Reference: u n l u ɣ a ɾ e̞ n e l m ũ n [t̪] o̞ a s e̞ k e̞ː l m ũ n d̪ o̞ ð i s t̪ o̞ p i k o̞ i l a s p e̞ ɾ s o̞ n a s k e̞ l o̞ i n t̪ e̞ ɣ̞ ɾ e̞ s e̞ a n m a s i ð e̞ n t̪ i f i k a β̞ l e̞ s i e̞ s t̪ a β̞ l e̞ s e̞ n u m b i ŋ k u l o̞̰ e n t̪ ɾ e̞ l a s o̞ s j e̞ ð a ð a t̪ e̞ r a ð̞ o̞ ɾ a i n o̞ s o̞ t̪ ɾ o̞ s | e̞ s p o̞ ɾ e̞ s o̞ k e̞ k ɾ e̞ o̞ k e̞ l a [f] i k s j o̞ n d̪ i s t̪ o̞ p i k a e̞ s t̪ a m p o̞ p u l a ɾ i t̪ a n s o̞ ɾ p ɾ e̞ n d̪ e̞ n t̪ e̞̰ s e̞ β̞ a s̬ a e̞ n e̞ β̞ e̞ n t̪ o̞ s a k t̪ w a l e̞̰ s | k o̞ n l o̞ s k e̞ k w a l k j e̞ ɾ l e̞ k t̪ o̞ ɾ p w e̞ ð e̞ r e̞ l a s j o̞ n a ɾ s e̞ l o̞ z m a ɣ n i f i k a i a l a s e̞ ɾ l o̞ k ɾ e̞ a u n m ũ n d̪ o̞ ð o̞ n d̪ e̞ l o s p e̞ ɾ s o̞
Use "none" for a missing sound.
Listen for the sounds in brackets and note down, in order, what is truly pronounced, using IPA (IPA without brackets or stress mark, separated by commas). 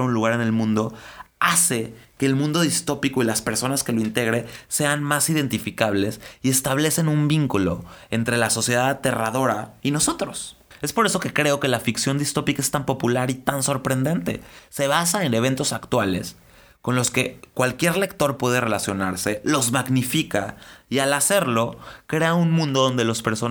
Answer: d̪, f